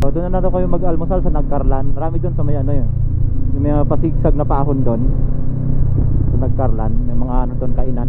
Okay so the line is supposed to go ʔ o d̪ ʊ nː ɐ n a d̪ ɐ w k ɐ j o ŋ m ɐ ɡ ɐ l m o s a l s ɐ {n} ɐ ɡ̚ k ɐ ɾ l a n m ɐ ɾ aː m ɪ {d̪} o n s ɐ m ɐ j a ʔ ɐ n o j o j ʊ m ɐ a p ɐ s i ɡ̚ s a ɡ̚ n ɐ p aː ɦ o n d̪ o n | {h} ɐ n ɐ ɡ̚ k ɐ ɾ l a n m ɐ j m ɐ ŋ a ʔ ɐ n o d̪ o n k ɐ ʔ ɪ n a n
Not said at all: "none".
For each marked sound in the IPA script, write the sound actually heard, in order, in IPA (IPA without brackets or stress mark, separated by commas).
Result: n, d̪, s